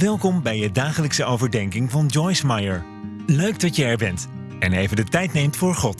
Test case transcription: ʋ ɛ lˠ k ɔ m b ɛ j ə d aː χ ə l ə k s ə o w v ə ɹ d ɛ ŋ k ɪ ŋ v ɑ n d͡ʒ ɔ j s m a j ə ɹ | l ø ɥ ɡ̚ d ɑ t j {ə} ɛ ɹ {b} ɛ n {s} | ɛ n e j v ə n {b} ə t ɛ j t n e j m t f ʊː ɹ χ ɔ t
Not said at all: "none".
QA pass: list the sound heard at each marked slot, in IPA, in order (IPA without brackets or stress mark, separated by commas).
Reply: ə, b, t, d